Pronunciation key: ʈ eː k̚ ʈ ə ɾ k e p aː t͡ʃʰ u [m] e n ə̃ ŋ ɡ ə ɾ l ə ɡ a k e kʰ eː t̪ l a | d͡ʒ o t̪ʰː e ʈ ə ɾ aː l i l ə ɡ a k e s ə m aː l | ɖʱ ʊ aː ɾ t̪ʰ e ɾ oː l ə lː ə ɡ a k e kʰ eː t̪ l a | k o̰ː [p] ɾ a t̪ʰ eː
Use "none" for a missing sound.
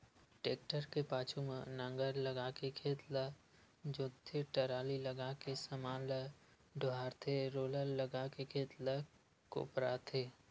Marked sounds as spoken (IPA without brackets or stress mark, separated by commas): m, p